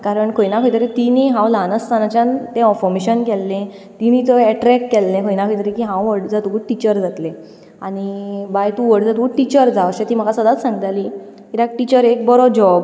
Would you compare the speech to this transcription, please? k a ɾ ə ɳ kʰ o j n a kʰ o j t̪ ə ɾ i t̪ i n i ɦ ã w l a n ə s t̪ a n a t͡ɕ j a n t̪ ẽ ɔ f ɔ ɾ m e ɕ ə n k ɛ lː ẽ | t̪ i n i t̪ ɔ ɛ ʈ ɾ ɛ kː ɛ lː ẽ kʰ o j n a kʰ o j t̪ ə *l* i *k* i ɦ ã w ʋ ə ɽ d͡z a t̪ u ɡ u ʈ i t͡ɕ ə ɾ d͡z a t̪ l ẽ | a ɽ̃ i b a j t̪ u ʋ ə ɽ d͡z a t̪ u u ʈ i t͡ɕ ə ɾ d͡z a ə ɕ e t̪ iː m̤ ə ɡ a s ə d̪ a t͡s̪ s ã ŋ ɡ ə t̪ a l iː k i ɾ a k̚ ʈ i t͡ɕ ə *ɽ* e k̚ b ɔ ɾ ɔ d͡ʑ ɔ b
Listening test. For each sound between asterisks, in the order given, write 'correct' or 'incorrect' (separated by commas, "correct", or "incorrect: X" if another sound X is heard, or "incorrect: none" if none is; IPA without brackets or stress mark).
incorrect: ɾ, correct, incorrect: ɾ